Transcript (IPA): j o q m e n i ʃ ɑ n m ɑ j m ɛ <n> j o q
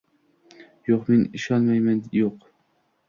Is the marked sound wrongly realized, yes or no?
no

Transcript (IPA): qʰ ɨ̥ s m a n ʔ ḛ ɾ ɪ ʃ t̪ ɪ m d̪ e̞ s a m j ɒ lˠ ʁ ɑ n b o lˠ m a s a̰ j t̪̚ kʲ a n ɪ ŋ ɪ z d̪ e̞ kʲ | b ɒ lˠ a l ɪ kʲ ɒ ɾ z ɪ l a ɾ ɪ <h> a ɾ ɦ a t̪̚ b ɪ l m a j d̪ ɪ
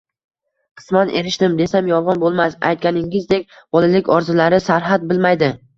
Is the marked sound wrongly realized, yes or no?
yes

